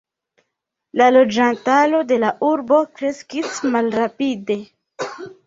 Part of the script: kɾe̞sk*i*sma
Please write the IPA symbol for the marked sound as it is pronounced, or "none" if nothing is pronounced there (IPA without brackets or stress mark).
i